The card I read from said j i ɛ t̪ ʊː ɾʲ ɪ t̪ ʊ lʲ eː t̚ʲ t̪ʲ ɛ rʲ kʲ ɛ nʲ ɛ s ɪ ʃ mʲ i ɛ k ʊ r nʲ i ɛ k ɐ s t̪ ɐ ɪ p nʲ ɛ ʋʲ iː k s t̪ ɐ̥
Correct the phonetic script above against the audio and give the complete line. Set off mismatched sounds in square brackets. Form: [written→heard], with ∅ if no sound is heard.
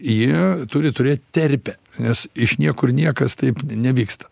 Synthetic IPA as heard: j i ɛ t̪ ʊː ɾʲ ɪ t̪ ʊ [lʲ→ɾʲ] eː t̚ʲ t̪ʲ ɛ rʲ [kʲ→pʲ] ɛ nʲ ɛ s ɪ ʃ [mʲ→nʲ] i ɛ k ʊ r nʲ i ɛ k ɐ s t̪ ɐ ɪ p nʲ ɛ ʋʲ iː k s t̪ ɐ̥